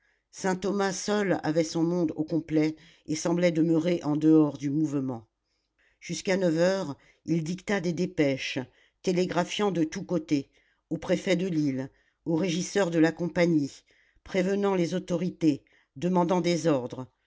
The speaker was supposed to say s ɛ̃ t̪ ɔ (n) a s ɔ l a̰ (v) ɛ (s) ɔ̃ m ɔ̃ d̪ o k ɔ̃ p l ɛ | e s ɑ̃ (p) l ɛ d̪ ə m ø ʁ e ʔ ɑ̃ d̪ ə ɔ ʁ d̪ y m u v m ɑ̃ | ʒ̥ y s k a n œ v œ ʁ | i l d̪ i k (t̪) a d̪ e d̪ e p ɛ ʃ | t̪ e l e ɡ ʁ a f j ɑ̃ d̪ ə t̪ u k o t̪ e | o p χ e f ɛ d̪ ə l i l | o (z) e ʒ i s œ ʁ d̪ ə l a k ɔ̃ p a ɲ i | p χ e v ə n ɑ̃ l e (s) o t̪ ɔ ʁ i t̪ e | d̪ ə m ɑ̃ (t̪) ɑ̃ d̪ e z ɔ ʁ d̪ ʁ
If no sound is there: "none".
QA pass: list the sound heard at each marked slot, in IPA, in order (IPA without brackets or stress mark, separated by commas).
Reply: m, v, s, b, t̪, ʁ, z, d̪